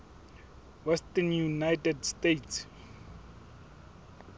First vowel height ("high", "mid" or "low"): mid